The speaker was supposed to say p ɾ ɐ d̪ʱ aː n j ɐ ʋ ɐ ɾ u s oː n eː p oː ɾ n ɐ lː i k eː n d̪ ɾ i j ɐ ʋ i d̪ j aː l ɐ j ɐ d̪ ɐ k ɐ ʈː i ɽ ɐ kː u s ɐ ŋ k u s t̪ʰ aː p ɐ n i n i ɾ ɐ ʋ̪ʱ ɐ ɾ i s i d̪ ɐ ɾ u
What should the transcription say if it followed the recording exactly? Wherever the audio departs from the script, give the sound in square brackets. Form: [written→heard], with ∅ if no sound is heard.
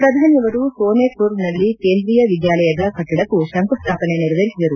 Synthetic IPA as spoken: p ɾ ɐ d̪ʱ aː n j ɐ ʋ ɐ ɾ u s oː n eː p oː ɾ n ɐ lː i k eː n d̪ ɾ i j ɐ ʋ i d̪ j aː l ɐ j ɐ d̪ ɐ k ɐ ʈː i ɽ ɐ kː u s ɐ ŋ k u s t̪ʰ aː p ɐ n [i→e] n i ɾ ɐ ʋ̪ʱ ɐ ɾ i s i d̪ ɐ ɾ u